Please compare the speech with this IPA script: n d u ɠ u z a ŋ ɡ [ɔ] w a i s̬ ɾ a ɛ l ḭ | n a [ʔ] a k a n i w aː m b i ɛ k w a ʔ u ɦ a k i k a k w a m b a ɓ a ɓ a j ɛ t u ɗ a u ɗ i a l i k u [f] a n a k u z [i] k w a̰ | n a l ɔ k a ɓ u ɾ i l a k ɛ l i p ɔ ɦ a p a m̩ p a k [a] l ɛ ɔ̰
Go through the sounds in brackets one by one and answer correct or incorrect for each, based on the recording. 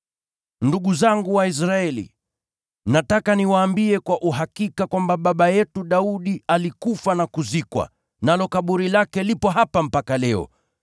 incorrect, incorrect, correct, correct, correct

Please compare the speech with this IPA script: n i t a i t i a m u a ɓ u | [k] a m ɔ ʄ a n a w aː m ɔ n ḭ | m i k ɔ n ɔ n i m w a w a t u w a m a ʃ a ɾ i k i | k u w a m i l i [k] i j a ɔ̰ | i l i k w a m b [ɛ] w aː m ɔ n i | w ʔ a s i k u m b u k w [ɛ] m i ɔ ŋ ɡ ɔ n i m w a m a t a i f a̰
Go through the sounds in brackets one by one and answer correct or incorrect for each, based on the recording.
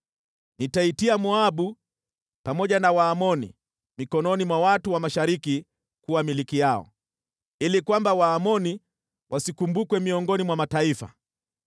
incorrect, correct, incorrect, correct

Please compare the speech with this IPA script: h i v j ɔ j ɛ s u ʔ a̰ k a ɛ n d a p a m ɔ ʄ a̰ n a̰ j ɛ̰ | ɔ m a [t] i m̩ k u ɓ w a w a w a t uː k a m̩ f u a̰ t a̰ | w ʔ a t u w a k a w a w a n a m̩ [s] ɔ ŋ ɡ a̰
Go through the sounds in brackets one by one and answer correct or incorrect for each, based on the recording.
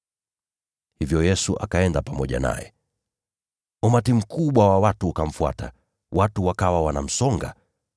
correct, correct

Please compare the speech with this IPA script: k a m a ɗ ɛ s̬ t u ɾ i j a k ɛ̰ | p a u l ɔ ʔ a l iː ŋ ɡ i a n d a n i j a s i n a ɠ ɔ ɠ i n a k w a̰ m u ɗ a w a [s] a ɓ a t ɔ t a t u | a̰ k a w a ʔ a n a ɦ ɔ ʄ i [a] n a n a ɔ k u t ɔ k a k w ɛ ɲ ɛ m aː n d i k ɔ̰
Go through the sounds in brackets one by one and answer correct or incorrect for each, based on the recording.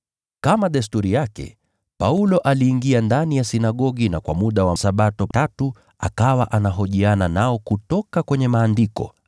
correct, correct

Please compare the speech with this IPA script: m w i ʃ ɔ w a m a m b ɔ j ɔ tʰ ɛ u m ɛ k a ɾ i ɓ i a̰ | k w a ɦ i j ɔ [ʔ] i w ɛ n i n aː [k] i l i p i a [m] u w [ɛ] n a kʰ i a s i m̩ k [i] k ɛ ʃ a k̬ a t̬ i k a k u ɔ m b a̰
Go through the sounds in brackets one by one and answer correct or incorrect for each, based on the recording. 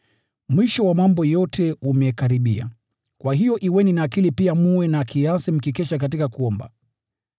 correct, correct, correct, correct, correct

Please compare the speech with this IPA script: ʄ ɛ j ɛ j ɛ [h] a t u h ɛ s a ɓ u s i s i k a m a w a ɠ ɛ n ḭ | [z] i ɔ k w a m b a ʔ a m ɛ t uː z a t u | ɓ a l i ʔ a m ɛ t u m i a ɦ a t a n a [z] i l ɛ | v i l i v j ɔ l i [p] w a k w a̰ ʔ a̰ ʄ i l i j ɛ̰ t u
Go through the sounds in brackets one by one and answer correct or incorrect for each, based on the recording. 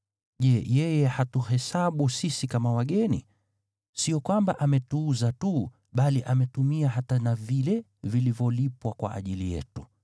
correct, incorrect, incorrect, correct

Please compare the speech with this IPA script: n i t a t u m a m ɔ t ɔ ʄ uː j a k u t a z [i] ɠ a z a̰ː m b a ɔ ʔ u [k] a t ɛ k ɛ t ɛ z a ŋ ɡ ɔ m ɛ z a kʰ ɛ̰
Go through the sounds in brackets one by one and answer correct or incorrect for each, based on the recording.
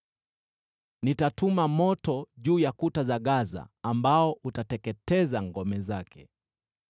incorrect, incorrect

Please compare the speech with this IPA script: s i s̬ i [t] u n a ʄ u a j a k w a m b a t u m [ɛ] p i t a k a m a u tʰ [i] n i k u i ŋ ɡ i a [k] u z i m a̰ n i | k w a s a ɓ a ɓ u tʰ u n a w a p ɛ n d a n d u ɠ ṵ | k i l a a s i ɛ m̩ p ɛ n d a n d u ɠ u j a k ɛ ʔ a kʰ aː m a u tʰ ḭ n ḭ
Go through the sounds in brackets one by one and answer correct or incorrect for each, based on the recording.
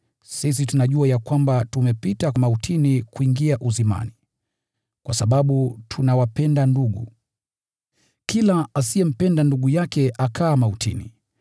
correct, correct, correct, incorrect

